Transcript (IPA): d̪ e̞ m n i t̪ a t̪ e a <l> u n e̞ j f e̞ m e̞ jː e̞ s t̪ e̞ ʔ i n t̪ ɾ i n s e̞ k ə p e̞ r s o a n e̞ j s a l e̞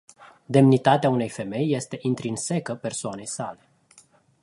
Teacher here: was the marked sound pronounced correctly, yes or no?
no